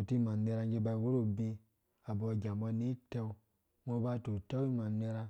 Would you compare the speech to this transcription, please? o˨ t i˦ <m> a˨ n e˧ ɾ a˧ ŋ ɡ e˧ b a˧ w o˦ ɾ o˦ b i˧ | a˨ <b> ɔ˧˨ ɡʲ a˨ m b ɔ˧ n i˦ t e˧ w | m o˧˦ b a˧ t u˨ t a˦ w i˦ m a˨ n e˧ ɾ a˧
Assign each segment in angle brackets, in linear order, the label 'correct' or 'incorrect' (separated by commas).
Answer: correct, correct